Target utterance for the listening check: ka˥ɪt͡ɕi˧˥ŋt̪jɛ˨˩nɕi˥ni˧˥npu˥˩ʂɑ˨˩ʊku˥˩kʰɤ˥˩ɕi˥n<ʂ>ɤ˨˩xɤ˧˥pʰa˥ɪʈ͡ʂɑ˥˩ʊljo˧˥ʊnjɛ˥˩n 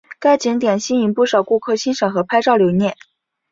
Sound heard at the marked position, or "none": ʂ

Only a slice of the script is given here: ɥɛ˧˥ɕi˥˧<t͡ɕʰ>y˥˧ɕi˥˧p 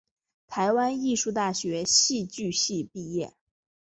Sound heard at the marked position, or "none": t͡ɕ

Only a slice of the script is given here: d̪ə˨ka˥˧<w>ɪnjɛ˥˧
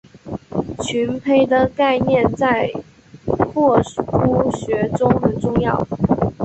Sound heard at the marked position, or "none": none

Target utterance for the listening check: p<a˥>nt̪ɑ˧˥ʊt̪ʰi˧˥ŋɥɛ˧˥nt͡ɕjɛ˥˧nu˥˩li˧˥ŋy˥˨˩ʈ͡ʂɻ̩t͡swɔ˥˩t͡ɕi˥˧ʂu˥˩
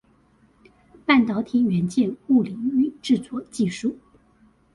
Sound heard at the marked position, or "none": a˥˩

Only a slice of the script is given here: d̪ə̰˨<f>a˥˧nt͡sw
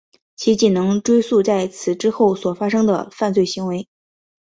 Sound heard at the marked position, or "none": f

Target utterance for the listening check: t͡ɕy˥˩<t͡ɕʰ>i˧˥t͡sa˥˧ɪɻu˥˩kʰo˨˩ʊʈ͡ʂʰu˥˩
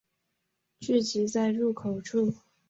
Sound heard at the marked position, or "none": t͡ɕ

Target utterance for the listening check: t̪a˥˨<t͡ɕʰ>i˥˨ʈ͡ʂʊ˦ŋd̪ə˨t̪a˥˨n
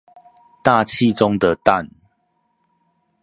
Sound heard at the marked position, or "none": t͡ɕʰ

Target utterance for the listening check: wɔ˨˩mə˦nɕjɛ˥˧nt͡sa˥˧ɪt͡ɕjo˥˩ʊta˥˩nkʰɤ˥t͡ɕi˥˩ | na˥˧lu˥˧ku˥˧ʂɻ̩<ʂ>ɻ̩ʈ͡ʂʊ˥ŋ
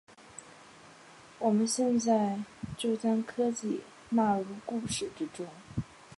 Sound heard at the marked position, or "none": ʈ͡ʂ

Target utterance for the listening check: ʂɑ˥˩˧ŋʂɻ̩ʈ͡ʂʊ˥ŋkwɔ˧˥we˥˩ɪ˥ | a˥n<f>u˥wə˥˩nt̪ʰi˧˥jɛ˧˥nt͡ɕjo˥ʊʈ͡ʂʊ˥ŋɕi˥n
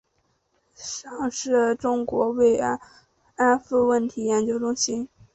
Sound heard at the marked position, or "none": f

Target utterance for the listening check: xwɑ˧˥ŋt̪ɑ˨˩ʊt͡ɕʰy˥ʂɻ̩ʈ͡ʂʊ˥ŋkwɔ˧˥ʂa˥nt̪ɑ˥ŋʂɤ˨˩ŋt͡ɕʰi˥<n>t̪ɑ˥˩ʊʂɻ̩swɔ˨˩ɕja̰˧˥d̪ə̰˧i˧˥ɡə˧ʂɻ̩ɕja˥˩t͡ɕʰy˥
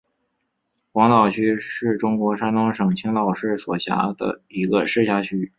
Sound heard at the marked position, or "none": ŋ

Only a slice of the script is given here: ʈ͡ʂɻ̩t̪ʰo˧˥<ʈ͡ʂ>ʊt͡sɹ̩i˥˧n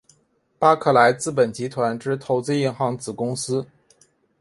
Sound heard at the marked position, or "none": none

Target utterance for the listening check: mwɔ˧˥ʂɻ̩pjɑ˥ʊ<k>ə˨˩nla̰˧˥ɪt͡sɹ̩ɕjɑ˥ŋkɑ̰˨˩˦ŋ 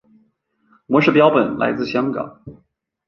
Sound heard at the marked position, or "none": p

